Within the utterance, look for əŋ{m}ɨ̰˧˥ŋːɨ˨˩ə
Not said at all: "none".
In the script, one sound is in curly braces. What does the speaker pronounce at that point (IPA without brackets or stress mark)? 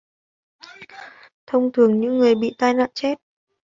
ɲ